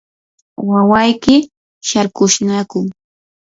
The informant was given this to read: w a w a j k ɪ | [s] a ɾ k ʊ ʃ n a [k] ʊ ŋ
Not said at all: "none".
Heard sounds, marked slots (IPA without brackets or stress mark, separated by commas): ʃ, k